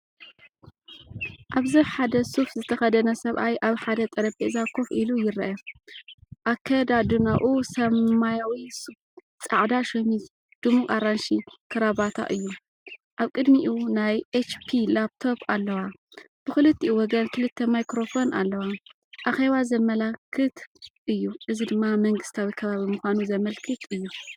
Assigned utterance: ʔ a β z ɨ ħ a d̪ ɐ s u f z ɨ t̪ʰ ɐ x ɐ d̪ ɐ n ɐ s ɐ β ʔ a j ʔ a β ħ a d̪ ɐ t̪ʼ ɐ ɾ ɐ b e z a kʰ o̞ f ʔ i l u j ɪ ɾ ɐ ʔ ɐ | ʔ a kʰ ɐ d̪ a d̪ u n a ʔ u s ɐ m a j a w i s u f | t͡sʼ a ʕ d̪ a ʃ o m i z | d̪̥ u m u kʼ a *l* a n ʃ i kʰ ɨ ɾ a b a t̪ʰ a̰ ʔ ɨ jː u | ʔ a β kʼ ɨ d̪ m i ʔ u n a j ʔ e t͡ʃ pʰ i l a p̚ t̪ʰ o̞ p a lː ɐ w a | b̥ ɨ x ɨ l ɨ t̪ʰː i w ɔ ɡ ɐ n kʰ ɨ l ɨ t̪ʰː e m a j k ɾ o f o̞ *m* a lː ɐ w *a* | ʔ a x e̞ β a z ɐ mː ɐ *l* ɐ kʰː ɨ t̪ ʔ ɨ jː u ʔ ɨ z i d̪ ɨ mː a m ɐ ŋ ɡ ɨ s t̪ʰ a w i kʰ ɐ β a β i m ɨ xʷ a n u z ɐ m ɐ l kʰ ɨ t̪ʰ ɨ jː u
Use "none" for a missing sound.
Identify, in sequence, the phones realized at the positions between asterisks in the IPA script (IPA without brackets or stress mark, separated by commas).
ɾ, n, a, l